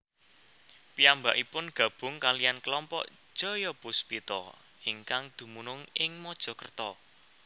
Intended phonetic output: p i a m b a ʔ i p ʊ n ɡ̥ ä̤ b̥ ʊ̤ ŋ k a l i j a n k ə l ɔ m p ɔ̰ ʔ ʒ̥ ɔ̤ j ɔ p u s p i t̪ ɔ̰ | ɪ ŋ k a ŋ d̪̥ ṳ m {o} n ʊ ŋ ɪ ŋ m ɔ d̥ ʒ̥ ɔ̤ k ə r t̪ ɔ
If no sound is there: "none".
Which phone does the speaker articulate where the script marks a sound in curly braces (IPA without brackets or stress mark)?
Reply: u